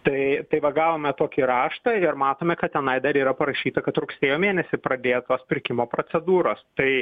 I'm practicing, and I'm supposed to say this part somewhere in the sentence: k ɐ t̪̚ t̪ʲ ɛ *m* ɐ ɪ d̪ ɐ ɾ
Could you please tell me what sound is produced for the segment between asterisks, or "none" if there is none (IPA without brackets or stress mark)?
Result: n